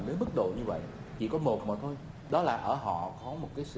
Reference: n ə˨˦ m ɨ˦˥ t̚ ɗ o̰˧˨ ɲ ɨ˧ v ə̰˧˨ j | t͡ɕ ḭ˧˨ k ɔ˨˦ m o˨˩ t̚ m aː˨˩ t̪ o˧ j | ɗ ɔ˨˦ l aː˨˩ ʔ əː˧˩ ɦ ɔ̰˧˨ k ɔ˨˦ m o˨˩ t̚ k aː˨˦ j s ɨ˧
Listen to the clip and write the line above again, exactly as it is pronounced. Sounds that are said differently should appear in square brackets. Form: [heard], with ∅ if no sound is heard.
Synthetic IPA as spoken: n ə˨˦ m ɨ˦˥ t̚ ɗ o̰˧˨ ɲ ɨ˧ v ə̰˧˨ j | t͡ɕ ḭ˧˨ k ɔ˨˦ m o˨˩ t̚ m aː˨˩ [t̪ʰ] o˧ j | ɗ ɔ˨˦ l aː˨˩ ʔ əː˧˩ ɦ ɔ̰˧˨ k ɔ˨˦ m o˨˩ t̚ k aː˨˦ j s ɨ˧